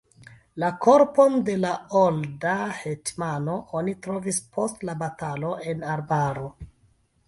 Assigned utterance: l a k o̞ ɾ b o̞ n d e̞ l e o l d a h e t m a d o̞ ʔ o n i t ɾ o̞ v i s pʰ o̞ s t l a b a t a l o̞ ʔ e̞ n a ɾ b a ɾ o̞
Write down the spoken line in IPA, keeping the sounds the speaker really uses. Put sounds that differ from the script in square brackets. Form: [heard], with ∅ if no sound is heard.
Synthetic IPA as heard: l a k o̞ ɾ [p] o̞ n d e̞ l [a] o l d a h e t m a [n] o̞ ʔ o n i t ɾ o̞ v i s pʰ o̞ s t l a b a t a l o̞ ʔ e̞ n a ɾ b a ɾ o̞